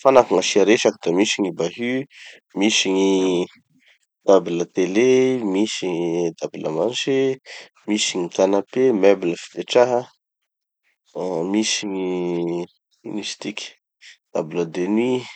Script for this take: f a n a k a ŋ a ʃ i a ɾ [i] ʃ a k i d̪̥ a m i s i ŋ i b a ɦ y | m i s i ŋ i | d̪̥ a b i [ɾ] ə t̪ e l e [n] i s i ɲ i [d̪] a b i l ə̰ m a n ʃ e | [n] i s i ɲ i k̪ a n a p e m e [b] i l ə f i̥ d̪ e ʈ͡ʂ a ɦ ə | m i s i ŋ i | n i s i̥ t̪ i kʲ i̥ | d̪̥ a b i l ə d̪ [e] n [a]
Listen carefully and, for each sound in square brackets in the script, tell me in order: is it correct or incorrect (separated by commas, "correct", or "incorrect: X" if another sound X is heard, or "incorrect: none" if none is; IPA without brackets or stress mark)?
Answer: incorrect: e, incorrect: l, incorrect: m, correct, incorrect: m, correct, correct, incorrect: i